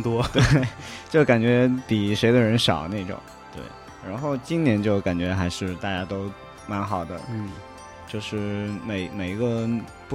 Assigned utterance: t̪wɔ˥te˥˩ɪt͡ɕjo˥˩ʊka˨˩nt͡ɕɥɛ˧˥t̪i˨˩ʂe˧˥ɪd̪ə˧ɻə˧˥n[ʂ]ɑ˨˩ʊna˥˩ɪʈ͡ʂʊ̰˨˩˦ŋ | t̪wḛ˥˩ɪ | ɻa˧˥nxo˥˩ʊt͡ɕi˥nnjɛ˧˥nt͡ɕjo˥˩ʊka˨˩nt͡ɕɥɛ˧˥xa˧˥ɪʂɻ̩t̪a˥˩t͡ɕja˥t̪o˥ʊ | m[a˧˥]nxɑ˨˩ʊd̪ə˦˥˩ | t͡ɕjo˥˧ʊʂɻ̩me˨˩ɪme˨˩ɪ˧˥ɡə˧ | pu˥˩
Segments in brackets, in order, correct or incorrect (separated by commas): correct, correct